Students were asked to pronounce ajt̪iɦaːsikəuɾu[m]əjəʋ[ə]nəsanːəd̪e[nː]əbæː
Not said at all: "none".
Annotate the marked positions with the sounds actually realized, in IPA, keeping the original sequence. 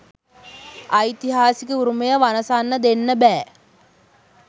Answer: m, a, nː

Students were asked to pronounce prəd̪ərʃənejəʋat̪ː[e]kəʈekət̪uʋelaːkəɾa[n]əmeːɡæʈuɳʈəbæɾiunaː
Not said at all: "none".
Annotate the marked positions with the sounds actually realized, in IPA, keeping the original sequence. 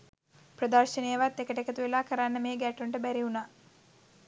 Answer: e, nː

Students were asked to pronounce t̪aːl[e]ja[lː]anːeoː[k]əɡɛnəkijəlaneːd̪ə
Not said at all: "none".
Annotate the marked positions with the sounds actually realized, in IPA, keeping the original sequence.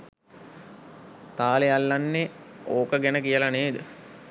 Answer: e, lː, k

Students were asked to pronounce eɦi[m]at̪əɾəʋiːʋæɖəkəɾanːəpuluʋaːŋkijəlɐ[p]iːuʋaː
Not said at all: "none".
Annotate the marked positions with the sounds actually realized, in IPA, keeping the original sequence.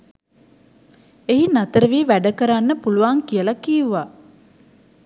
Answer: n, k

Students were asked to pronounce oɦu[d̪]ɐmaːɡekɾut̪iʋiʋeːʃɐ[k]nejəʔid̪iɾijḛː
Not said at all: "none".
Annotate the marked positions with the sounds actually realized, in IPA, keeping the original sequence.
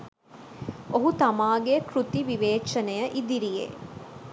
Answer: t̪, none

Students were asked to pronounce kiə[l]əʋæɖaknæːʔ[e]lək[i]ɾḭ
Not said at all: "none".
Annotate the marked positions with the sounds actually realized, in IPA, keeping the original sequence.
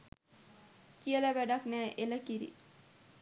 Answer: l, e, i

